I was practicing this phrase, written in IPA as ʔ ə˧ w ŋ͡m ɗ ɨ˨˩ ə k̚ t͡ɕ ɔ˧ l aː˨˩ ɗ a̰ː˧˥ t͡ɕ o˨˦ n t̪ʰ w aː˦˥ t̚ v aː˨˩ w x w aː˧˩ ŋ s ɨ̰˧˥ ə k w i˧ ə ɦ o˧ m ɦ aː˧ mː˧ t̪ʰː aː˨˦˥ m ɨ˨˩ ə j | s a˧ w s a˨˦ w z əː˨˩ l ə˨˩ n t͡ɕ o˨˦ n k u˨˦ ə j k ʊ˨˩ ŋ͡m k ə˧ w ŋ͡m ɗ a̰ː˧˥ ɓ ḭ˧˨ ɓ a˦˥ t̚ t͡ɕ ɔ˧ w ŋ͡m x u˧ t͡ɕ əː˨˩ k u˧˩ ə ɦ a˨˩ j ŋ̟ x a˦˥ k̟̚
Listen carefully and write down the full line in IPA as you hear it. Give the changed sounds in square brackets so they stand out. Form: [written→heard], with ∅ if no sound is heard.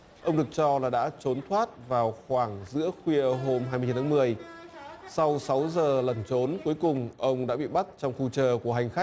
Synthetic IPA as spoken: ʔ ə˧ w ŋ͡m ɗ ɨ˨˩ ə k̚ t͡ɕ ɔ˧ l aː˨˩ ɗ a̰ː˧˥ t͡ɕ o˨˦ n t̪ʰ w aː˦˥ t̚ v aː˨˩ w x w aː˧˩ ŋ [s→z] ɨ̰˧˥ ə [k→x] w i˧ ə ɦ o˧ m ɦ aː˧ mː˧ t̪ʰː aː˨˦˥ m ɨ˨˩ ə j | s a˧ w s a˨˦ w z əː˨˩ l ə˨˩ n t͡ɕ o˨˦ n k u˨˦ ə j k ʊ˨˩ ŋ͡m [k→ʔ] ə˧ w ŋ͡m ɗ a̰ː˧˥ ɓ ḭ˧˨ ɓ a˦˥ t̚ t͡ɕ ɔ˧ w ŋ͡m x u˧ t͡ɕ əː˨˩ k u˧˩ ə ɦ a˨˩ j ŋ̟ x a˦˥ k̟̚